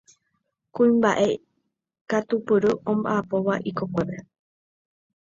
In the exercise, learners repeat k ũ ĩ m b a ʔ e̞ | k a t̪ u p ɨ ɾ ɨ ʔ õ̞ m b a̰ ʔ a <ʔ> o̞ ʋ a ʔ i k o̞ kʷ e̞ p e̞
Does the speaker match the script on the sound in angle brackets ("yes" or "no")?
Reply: no